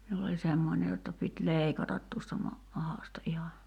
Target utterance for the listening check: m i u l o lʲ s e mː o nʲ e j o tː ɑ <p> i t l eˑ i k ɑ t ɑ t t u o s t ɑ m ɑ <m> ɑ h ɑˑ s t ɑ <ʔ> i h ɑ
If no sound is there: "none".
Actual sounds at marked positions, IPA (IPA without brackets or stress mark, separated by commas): p, m, ʔ